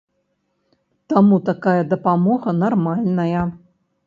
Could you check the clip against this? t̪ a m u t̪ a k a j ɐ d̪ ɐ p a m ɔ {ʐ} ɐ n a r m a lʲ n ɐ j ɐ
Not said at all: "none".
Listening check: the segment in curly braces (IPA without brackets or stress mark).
ɣ